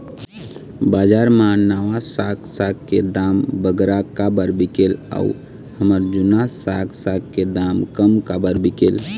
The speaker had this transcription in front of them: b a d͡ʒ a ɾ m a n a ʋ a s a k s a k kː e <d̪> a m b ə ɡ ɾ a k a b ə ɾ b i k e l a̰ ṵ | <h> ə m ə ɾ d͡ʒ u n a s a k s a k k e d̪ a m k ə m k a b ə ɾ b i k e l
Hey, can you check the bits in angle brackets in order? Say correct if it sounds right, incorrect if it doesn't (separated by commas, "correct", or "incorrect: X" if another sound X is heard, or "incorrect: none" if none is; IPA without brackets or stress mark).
correct, correct